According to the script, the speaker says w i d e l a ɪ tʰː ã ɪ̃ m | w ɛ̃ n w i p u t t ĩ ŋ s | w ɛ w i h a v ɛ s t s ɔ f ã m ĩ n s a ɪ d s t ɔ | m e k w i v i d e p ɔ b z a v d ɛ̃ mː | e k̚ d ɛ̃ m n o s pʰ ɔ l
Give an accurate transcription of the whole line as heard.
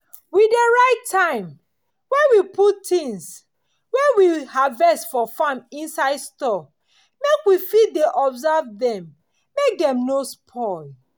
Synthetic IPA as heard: w i d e ɹ a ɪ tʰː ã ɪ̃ m | w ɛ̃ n w i p u t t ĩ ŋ s | w ɛ w i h a v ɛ s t f ɔ f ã m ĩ n s a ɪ d s t ɔ | m e k w i f i d e ʔ ɔ b z a v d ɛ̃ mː | e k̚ d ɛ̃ m n o s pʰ ɔ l